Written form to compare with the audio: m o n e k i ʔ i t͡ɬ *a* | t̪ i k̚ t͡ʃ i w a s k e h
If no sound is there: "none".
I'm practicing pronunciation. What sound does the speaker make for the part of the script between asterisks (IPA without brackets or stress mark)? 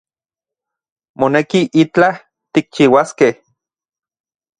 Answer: a